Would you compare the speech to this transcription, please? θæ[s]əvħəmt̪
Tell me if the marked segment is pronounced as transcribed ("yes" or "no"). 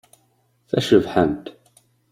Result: no